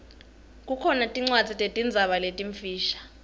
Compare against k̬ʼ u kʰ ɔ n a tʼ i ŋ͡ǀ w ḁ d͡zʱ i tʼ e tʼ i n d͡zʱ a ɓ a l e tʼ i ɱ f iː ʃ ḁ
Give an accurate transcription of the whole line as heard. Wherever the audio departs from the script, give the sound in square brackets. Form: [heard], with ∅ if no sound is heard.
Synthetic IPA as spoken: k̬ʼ u kʰ ɔ n a tʼ i ŋ͡ǀ w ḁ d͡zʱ i tʼ e tʼ i n d͡zʱ a ɓ a l e tʼ i ɱ f iː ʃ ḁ